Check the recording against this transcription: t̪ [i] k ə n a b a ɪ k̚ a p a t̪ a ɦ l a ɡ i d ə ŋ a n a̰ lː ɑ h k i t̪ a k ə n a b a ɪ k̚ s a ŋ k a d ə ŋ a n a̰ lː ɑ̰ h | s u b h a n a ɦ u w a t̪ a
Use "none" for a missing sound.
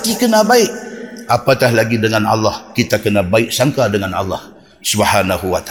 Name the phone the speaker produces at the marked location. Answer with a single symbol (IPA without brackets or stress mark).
i